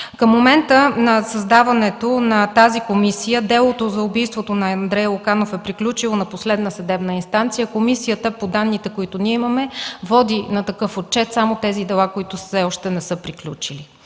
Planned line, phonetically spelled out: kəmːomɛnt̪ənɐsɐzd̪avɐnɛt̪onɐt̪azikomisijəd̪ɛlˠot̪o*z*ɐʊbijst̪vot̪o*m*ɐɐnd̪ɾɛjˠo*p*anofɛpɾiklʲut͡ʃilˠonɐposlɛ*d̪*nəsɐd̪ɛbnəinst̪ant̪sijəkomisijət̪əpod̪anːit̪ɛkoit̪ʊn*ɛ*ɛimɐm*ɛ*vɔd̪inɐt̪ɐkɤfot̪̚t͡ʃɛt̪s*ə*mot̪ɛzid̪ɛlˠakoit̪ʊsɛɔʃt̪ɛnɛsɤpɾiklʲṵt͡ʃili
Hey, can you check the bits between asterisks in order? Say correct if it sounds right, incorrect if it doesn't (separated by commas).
correct, incorrect, incorrect, correct, incorrect, correct, incorrect